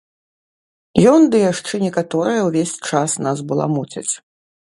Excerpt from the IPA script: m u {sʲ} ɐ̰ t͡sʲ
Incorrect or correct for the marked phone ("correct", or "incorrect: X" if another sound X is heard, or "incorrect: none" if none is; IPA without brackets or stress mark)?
incorrect: t͡sʲ